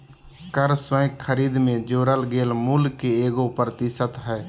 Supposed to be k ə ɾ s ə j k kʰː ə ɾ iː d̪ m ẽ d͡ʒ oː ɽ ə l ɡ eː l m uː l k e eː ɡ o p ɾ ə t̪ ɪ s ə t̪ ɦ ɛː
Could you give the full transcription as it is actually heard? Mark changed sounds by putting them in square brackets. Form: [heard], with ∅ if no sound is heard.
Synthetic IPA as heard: k ə ɾ s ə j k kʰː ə ɾ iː d̪ m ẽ d͡ʒ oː [ɾ] ə l ɡ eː l m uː l k e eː ɡ o p ɾ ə t̪ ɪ s ə t̪ ɦ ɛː